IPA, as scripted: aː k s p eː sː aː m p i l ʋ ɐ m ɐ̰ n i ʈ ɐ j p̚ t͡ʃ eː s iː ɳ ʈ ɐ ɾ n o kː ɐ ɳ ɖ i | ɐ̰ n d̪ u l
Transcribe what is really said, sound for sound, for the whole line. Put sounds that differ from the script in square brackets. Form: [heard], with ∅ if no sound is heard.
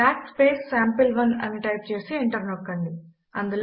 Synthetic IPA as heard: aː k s p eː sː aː m p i l ʋ ɐ [n] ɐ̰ n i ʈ ɐ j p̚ t͡ʃ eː s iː ɳ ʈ ɐ ɾ n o kː ɐ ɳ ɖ i | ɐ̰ n d̪ u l